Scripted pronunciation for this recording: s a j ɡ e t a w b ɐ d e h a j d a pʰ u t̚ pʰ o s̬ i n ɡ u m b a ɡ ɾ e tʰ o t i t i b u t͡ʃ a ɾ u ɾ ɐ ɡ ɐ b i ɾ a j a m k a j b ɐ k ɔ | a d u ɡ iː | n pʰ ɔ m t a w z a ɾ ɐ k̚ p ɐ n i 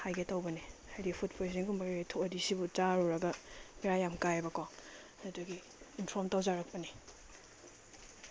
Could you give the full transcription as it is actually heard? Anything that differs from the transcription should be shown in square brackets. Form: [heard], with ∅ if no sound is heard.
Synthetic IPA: [h] a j ɡ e t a w b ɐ [n] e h a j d [i] pʰ u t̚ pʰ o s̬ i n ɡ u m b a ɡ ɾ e tʰ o [d] i [s] i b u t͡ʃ a ɾ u ɾ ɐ ɡ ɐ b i ɾ a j a m k a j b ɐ k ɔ | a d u ɡ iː | n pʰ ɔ m t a w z a ɾ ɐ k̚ p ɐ n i